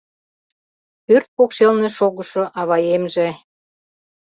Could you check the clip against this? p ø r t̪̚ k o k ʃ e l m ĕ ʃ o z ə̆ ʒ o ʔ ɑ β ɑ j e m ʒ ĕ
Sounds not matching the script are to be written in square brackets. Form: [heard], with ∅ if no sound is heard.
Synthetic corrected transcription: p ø r t̪̚ [p] o k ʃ e l [n] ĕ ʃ o [ɣ] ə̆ [ʃ] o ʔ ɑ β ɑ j e m ʒ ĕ